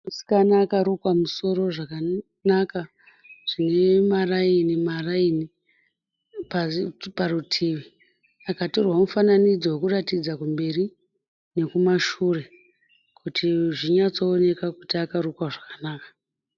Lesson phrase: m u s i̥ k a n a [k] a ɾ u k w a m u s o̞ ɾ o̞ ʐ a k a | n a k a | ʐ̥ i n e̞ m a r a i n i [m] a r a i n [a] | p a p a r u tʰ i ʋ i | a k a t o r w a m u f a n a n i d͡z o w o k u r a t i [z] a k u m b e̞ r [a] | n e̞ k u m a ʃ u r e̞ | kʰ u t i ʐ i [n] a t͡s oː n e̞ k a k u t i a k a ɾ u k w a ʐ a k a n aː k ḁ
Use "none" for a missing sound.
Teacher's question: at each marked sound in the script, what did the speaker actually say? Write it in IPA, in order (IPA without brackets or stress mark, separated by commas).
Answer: k, m, i, d͡z, i, ɲ